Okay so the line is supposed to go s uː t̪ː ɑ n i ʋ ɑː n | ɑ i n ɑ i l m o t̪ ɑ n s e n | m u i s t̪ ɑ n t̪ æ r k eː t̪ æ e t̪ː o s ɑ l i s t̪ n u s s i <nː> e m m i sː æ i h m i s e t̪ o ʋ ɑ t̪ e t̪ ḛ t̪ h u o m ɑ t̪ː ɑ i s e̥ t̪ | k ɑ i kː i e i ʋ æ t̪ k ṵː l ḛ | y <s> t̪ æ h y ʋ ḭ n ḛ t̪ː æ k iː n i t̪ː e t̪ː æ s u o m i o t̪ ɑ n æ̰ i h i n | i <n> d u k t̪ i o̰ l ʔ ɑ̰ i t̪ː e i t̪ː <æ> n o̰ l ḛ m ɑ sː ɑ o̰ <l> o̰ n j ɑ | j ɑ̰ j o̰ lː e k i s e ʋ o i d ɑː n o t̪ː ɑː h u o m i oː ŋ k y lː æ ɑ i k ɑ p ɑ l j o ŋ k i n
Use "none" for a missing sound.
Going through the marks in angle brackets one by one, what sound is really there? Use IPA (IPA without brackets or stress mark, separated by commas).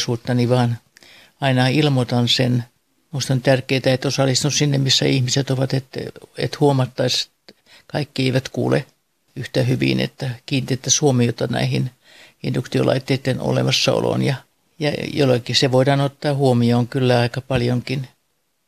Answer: nː, h, n, e, l